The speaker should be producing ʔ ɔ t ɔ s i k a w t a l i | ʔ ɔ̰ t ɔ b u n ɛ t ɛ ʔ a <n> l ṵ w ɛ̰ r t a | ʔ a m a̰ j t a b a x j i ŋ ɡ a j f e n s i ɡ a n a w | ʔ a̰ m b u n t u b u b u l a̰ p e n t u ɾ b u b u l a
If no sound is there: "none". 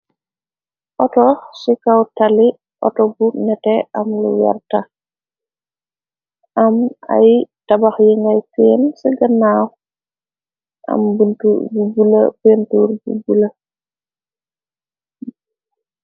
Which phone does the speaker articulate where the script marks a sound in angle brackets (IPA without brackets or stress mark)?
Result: m